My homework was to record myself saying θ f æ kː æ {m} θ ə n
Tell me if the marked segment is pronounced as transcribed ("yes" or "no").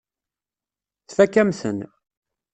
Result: yes